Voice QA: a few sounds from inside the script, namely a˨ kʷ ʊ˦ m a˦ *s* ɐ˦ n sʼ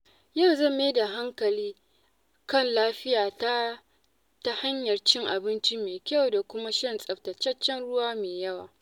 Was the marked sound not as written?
yes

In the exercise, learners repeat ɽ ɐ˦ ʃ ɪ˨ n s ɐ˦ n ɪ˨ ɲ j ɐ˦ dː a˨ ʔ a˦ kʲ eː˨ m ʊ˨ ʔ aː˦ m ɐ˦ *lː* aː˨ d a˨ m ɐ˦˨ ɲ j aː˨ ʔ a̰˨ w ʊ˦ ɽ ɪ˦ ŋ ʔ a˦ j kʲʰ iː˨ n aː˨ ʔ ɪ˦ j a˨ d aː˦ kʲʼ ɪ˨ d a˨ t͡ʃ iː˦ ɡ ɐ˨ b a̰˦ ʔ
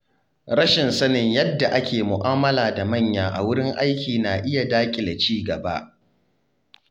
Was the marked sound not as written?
yes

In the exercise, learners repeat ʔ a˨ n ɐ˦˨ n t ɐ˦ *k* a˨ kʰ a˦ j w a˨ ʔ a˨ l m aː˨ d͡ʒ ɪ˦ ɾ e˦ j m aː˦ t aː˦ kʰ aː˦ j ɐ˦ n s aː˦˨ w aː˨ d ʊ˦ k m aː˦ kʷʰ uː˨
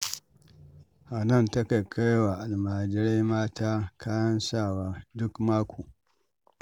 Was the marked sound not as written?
no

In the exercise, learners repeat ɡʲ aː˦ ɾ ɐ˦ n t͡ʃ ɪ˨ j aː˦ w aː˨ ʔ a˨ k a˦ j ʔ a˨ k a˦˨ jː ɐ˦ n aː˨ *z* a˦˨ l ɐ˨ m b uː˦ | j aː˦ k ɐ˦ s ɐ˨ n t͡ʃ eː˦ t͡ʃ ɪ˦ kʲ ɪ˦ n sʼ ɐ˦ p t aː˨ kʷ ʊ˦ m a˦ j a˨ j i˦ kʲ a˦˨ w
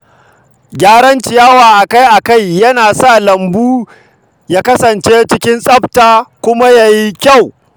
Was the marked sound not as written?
yes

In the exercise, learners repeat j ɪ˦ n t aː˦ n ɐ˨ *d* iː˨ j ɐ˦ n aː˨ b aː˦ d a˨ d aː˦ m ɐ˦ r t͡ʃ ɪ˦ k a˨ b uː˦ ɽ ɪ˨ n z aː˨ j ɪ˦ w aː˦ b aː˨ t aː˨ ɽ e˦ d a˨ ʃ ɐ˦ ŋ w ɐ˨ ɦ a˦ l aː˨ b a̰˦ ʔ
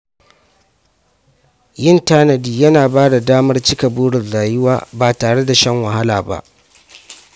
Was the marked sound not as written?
no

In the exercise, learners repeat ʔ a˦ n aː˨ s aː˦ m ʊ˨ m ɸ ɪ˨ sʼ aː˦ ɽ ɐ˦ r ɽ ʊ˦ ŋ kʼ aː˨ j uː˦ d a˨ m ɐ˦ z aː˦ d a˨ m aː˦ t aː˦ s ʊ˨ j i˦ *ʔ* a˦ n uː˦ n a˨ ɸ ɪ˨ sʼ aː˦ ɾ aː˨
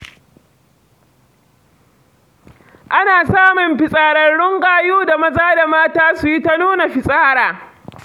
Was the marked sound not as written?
yes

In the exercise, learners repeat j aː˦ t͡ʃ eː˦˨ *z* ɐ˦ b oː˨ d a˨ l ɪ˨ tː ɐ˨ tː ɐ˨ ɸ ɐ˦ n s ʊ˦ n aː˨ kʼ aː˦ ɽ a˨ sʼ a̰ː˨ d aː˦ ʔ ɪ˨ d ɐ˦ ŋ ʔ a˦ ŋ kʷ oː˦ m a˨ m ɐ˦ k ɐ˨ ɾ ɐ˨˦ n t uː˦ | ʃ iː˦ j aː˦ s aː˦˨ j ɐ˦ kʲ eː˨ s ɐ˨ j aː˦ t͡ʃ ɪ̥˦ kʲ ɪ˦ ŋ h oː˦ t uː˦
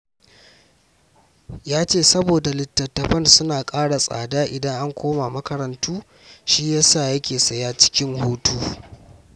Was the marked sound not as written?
yes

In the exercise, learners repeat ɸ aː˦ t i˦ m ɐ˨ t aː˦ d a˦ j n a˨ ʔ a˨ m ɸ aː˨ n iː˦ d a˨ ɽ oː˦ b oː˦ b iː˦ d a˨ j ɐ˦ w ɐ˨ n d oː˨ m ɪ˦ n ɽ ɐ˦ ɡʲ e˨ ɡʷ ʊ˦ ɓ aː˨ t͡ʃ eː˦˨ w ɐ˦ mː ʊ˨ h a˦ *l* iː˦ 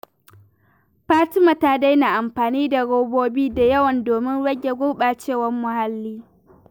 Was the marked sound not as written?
yes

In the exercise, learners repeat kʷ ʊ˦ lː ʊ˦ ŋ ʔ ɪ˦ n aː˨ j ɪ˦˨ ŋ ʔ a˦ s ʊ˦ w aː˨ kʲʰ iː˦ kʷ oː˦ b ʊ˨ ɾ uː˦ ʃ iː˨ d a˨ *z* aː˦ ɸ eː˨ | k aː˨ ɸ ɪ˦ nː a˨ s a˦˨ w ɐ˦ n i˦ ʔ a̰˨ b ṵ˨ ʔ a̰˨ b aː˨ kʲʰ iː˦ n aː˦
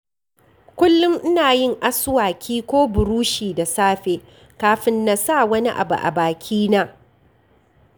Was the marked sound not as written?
yes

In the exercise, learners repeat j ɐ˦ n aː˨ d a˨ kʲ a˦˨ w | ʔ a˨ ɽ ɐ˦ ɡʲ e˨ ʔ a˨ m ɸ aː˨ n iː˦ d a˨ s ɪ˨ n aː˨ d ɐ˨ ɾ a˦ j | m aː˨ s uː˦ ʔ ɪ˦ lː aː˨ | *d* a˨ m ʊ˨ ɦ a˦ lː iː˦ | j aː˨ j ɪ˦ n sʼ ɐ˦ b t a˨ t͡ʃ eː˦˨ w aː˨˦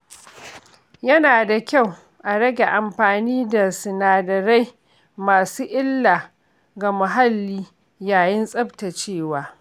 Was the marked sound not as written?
yes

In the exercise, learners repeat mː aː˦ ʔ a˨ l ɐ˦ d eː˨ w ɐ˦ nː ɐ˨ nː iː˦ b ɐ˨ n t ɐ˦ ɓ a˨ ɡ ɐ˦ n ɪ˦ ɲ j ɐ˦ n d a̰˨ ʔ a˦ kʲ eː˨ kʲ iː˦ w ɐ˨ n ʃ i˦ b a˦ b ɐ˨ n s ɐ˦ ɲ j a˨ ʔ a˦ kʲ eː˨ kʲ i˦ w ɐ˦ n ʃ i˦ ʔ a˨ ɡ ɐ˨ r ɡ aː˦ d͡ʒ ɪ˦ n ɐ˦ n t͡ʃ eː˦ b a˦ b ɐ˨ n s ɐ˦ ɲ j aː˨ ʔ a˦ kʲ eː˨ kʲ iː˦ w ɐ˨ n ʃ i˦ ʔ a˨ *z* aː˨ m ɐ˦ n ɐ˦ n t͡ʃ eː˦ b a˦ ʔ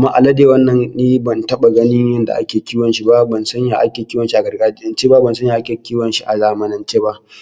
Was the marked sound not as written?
no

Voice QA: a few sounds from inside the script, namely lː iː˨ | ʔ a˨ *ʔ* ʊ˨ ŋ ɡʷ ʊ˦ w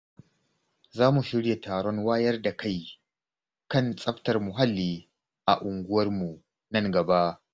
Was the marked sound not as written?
no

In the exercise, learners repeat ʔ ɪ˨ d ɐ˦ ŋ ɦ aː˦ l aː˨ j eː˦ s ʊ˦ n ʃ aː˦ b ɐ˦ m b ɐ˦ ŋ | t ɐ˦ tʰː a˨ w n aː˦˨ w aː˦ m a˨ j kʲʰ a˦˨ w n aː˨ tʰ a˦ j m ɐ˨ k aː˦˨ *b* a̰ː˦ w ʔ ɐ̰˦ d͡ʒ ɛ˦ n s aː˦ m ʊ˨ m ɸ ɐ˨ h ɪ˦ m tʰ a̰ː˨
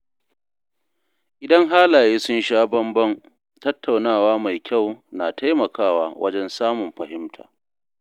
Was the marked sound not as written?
yes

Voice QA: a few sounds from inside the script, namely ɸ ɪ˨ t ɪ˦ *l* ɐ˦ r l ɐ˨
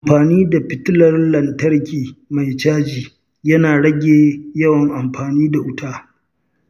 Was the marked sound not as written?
no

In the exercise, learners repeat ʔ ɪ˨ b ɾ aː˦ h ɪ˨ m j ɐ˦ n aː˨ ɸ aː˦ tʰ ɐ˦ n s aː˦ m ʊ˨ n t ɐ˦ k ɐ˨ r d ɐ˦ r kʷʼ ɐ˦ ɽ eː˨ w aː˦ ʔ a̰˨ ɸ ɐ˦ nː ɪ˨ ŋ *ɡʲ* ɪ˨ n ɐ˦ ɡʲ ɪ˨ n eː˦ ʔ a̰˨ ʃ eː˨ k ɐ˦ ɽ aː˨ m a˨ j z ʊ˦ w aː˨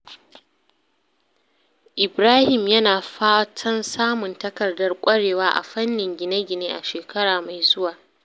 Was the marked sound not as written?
no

